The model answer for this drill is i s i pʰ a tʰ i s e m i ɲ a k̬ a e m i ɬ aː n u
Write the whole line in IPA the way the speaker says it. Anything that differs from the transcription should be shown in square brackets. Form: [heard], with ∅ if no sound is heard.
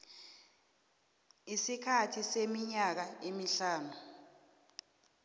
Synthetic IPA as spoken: i s i [kʰ] a tʰ i s e m i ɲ a k̬ a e m i ɬ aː n u